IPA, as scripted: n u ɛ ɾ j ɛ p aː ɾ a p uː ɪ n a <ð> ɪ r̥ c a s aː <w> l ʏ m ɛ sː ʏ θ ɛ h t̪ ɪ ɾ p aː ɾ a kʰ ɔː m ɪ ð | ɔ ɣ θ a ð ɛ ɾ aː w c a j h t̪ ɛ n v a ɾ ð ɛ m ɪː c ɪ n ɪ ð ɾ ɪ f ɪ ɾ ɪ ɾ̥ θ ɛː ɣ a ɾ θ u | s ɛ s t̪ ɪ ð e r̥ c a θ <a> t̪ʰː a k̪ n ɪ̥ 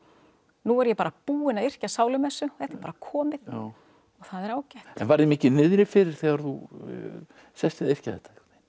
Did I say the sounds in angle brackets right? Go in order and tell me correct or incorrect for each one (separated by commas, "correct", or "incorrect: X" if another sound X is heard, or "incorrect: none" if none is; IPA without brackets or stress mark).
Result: correct, correct, incorrect: ɛ